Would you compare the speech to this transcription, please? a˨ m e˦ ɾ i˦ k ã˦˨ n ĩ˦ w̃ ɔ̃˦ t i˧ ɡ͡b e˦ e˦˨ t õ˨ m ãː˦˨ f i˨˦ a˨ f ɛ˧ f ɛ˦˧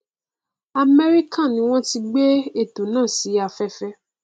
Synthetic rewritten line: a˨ m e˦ ɾ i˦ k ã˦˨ n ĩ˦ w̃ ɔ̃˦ t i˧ ɡ͡b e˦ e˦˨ t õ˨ n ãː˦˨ s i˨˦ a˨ f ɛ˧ f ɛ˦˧

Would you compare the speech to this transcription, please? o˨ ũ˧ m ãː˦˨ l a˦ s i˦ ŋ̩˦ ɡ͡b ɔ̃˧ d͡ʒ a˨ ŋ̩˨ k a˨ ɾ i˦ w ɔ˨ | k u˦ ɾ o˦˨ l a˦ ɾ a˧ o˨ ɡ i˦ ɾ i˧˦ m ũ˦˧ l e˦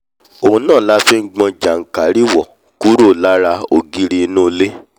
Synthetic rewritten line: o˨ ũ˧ n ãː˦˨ l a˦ f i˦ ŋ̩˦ ɡ͡b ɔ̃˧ d͡ʒ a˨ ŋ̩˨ k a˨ ɾ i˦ w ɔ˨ | k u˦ ɾ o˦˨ l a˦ ɾ a˧ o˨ ɡ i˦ ɾ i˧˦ n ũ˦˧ l e˦

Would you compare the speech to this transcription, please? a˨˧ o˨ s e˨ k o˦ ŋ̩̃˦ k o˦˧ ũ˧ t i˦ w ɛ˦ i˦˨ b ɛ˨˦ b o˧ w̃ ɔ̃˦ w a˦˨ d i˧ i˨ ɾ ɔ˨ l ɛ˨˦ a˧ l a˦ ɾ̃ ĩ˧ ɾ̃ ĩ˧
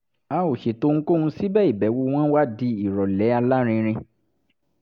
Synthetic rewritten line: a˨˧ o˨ ʃ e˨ t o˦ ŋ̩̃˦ k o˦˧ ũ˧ s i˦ b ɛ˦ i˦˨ b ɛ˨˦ w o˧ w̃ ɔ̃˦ w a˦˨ d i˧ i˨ ɾ ɔ˨ l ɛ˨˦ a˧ l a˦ ɾ̃ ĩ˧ ɾ̃ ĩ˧

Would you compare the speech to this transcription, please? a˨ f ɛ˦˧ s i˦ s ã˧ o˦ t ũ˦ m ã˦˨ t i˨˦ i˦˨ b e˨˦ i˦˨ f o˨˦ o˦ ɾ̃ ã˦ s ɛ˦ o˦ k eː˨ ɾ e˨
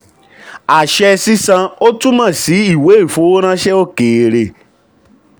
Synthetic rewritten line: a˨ ʃ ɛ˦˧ s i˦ s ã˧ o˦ t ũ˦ m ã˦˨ s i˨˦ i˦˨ w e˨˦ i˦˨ f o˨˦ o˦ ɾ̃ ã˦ ʃ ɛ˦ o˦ k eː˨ ɾ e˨

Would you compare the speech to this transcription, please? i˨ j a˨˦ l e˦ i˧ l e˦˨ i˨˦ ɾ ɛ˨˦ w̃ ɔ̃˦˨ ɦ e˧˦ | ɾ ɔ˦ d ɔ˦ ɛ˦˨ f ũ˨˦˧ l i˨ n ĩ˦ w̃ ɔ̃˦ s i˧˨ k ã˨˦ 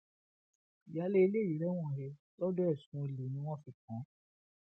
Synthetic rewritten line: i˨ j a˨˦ l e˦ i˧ l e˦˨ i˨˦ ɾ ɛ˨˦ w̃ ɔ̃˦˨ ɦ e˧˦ | l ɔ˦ d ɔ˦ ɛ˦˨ s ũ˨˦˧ l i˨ n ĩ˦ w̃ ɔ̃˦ f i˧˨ k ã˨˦

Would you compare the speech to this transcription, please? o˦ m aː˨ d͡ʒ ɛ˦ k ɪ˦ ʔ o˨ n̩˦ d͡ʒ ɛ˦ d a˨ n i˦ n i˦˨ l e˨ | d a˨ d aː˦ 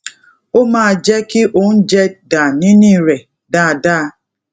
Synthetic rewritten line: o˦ m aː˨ d͡ʒ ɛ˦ k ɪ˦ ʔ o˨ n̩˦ d͡ʒ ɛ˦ d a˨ n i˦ n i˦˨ ɾ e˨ | d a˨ d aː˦

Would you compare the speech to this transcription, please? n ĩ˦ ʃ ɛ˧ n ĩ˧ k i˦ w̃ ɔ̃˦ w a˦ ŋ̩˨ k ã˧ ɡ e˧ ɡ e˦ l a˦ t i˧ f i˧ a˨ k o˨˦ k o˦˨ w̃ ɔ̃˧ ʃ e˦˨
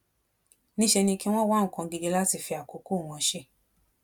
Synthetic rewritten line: n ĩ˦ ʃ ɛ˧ n ĩ˧ k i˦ w̃ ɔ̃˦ w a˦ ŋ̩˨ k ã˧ ɡ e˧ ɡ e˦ l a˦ t i˧ f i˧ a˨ k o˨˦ k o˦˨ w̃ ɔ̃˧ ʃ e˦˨

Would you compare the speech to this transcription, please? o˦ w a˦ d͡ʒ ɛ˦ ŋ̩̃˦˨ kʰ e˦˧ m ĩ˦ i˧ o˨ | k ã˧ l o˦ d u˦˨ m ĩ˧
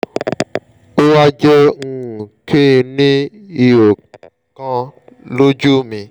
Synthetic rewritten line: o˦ w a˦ d͡ʒ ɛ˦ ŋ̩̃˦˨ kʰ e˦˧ n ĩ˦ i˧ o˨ | k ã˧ l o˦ d͡ʒ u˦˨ m ĩ˧

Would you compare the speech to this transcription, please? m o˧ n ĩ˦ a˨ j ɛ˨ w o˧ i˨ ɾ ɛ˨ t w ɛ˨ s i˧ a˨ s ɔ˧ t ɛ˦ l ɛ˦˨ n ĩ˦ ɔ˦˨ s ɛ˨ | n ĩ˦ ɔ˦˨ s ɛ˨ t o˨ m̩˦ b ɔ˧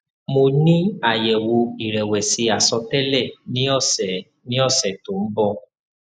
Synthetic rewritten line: m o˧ n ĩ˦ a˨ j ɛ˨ w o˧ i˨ ɾ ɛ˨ w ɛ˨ s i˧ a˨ s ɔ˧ t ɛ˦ l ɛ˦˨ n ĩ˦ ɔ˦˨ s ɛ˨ | n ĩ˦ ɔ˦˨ s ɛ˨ t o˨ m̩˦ b ɔ˧

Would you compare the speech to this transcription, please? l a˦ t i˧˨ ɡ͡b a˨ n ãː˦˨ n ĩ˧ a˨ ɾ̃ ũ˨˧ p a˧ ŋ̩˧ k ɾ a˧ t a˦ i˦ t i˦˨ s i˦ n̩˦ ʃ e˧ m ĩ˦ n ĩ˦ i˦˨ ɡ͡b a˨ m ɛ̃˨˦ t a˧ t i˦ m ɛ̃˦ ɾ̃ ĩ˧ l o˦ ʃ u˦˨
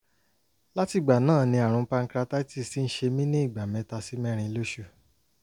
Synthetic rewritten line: l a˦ t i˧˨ ɡ͡b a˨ n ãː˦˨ n ĩ˧ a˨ ɾ̃ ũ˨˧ p a˧ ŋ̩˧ k ɾ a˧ t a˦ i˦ t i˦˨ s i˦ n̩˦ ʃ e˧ m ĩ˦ n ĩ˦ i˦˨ ɡ͡b a˨ m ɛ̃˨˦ t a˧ s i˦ m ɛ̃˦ ɾ̃ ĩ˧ l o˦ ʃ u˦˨

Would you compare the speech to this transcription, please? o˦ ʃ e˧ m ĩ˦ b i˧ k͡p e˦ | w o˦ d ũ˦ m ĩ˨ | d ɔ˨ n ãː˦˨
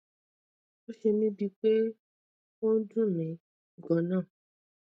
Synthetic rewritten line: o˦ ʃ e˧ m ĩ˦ b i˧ k͡p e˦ | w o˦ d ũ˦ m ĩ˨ | ɡ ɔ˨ n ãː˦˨

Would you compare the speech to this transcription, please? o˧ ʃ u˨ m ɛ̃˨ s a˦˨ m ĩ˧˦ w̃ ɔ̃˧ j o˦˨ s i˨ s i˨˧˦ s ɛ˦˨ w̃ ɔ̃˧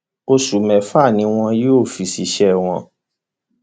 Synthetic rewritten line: o˧ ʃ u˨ m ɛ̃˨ f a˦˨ n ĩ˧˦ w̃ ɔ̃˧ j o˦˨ f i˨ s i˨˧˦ ʃ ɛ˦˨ w̃ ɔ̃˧

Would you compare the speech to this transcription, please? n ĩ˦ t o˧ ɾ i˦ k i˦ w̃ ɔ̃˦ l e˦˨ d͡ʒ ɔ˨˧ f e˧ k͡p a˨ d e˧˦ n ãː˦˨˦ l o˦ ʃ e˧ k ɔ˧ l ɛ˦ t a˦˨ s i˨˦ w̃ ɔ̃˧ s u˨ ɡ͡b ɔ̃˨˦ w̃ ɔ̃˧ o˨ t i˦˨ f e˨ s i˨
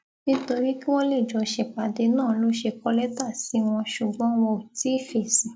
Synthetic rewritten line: n ĩ˦ t o˧ ɾ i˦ k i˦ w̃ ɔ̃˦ l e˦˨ d͡ʒ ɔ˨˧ ʃ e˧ k͡p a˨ d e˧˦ n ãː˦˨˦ l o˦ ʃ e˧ k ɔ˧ l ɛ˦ t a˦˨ s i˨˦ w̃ ɔ̃˧ ʃ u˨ ɡ͡b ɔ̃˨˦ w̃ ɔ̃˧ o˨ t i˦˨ f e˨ s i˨

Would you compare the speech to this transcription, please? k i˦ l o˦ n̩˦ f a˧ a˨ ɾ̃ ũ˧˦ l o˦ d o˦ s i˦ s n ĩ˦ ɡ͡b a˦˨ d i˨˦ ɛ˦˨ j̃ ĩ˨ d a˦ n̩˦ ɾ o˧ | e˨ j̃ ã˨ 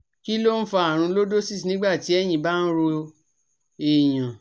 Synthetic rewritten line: k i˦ l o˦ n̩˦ f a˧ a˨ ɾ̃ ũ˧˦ l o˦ d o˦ s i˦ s n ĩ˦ ɡ͡b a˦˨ t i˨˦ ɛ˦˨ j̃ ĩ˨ b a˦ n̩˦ ɾ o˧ | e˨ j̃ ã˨

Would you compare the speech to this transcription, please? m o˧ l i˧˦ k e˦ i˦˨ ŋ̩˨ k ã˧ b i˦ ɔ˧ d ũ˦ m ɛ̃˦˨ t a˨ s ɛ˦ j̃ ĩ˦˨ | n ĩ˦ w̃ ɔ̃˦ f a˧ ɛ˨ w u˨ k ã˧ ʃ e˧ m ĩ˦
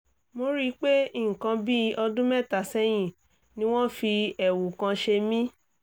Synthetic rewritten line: m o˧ ɾ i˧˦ k͡p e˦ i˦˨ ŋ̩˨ k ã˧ b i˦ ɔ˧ d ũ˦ m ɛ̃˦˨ t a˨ s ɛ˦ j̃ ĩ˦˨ | n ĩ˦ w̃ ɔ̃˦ f i˧ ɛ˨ w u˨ k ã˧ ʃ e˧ m ĩ˦

